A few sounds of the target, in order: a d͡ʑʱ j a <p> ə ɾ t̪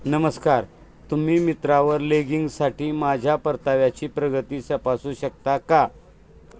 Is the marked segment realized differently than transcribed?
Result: no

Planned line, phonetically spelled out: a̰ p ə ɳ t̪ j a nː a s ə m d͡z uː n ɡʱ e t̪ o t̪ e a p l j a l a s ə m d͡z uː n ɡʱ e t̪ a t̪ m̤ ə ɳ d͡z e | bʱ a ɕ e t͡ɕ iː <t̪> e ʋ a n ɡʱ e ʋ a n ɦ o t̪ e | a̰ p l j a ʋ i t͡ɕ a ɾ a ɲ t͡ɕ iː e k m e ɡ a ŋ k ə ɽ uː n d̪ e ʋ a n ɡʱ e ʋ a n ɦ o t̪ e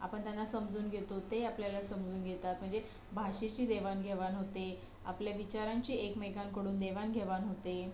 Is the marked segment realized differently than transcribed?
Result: yes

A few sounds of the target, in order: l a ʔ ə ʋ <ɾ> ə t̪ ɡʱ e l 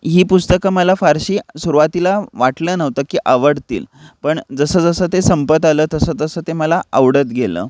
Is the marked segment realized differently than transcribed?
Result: yes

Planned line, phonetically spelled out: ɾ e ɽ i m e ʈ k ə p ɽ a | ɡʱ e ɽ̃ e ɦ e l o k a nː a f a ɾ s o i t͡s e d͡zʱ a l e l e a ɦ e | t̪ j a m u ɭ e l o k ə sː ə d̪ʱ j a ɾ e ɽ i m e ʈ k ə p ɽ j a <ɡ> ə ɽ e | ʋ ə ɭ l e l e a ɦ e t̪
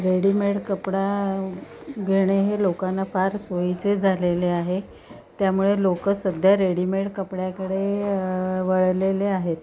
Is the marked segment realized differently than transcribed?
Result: yes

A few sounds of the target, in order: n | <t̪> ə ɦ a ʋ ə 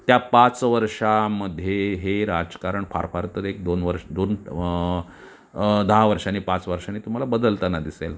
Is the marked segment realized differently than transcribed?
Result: yes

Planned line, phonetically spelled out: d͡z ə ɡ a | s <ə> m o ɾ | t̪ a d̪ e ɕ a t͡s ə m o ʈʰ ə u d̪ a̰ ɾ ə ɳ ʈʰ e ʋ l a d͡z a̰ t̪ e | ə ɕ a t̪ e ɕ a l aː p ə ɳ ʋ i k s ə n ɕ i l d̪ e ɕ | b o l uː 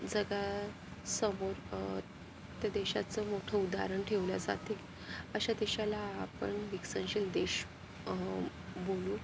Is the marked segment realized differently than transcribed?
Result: no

